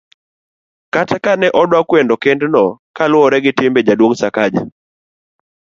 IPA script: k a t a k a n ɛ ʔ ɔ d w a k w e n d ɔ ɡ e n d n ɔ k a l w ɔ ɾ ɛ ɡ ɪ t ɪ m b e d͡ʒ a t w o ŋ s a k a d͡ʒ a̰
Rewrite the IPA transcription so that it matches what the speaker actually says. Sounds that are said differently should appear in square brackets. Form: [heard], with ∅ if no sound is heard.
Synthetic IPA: k a t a k a n ɛ ʔ ɔ d w a k w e n d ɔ [k] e n d n ɔ k a l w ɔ ɾ ɛ ɡ ɪ t ɪ m b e d͡ʒ a [d] w o ŋ s a k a d͡ʒ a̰